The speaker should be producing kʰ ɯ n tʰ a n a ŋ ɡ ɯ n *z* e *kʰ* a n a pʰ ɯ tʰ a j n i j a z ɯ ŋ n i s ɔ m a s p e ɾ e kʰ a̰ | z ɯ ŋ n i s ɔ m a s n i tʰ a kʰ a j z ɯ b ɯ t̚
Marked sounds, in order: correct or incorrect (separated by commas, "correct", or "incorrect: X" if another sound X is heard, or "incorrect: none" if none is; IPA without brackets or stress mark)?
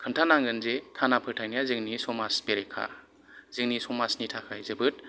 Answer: correct, correct